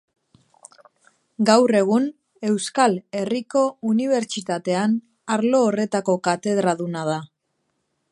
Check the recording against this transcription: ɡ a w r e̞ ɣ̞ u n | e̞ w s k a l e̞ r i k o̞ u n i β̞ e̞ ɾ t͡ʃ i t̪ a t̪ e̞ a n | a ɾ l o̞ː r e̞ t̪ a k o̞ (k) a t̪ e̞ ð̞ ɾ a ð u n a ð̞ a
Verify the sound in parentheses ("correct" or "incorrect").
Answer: correct